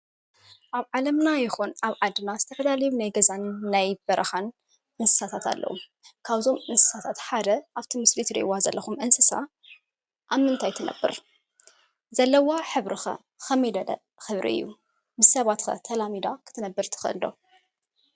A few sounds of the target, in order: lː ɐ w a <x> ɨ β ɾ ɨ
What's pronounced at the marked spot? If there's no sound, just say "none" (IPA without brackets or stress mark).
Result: ħ